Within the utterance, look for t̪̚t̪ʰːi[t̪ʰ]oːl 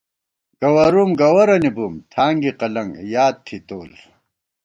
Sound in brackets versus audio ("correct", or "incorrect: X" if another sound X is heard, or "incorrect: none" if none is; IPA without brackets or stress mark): incorrect: t̪